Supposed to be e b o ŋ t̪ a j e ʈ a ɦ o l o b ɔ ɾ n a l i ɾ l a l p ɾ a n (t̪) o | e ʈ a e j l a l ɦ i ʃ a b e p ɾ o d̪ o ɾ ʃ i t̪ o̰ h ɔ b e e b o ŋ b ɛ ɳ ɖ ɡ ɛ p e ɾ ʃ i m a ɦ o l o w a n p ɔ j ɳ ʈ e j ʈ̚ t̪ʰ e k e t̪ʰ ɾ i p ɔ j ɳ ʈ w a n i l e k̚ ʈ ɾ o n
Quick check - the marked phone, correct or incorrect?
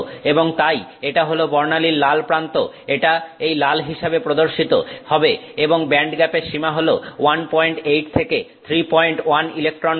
correct